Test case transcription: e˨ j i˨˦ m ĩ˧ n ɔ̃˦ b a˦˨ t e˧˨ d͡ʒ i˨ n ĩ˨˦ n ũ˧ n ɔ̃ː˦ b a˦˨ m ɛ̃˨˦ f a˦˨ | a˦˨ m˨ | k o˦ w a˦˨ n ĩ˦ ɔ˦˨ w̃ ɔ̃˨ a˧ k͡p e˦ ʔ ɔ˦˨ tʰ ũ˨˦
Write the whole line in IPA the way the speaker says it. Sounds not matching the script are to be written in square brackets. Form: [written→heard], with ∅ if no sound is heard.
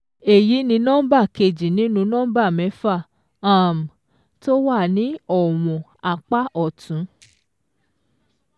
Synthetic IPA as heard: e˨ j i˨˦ [m→n] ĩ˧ n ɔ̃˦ b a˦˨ [t→k] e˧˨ d͡ʒ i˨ n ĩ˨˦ n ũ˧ n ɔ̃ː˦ b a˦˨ m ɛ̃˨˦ f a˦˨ | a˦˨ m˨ | [k→t] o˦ w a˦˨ n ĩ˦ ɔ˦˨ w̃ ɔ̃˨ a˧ k͡p [e˦→a˦] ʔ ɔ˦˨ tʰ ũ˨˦

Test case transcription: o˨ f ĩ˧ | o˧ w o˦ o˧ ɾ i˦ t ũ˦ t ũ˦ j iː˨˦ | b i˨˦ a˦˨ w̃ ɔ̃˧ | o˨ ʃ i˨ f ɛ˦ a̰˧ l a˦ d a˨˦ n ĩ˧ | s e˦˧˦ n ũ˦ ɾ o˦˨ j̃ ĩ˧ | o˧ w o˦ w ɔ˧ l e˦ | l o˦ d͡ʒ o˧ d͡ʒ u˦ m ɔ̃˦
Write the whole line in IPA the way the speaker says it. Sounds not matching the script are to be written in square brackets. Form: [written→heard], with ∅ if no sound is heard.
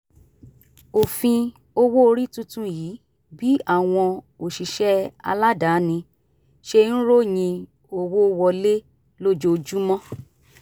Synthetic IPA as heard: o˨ f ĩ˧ | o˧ w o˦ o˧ ɾ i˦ t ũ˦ t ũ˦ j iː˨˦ | b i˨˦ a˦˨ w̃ ɔ̃˧ | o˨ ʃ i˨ [f→ʃ] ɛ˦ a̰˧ l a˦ d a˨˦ n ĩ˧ | [s→ʃ] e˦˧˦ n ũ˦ ɾ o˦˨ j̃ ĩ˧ | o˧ w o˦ w ɔ˧ l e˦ | l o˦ d͡ʒ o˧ d͡ʒ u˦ m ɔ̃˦

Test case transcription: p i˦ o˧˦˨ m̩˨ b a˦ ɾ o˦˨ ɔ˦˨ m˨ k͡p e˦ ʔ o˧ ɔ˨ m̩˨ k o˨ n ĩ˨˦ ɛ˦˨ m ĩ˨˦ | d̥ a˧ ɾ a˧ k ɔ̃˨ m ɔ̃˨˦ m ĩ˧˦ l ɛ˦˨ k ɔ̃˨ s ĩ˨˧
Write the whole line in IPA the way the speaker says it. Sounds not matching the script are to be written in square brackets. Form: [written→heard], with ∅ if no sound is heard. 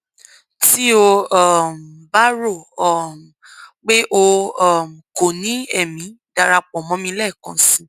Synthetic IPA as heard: [p→t] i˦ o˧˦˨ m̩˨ b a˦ ɾ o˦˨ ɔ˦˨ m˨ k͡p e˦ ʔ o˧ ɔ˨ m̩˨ k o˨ n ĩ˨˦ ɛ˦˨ m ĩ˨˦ | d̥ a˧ ɾ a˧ [k→k͡p] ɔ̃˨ m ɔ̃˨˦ m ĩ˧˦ l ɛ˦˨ k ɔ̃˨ s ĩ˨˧

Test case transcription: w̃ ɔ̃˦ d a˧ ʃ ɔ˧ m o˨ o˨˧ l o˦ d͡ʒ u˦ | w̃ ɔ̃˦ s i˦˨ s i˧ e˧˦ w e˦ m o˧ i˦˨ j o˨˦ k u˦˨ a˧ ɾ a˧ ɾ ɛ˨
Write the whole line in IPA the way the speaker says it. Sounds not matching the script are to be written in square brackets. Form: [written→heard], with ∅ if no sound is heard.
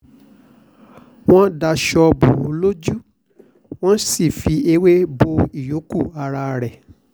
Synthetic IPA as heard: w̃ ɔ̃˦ d a˧ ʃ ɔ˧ [m→b] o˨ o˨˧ l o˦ d͡ʒ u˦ | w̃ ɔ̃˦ s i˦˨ [s→f] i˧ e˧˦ w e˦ [m→b] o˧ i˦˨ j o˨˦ k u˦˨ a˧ ɾ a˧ ɾ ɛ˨

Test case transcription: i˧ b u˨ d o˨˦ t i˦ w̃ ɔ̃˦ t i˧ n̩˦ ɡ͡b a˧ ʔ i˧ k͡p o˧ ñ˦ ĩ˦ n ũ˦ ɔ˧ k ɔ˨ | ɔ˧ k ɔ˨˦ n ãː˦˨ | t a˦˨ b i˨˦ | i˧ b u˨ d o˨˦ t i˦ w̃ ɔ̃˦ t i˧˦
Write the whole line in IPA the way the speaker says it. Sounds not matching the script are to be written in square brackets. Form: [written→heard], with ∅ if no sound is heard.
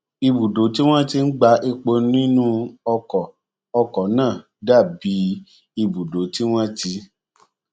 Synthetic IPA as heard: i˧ b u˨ d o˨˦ t i˦ w̃ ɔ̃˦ t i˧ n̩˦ ɡ͡b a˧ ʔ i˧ k͡p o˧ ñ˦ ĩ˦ n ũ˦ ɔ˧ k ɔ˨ | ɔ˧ k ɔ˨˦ n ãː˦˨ | [t→d] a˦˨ b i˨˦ | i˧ b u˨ d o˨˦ t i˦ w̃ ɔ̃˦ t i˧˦

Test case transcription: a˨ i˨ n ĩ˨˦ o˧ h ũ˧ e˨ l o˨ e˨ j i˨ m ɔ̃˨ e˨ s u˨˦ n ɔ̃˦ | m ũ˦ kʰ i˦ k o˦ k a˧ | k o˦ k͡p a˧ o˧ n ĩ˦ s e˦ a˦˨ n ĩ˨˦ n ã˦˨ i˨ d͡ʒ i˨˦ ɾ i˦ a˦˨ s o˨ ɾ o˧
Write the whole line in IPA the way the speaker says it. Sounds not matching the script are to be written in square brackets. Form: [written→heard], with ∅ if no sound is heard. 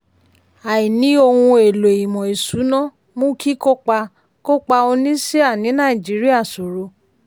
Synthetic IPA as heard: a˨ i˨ n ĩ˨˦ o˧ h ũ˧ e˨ l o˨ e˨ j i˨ m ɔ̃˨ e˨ s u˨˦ n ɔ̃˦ | m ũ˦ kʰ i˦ k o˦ [k→k͡p] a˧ | k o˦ k͡p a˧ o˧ n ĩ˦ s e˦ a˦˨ n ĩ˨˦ n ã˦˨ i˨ d͡ʒ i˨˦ ɾ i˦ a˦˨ s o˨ ɾ o˧

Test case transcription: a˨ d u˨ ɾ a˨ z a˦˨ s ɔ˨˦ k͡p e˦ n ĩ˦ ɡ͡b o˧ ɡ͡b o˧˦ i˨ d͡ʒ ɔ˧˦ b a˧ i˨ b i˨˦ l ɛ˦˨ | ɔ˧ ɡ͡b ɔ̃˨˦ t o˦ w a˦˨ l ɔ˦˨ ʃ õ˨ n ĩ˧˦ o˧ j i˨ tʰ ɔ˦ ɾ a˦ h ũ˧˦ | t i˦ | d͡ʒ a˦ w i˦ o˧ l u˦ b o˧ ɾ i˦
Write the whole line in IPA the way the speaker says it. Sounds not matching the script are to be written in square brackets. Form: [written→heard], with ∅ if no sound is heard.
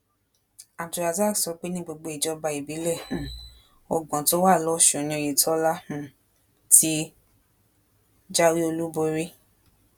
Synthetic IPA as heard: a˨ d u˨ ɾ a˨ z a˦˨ s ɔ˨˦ k͡p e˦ n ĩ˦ ɡ͡b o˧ ɡ͡b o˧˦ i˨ d͡ʒ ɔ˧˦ b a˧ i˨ b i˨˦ l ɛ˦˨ | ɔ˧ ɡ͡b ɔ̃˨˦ t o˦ w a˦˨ l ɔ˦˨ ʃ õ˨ n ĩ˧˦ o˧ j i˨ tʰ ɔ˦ [ɾ→l] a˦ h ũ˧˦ | t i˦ | d͡ʒ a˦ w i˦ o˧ l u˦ b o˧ ɾ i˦

